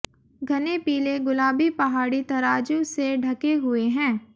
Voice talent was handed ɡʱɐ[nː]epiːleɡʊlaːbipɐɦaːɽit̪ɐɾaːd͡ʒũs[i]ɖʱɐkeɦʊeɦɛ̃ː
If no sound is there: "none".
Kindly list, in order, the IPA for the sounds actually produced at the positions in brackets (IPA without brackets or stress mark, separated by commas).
n, e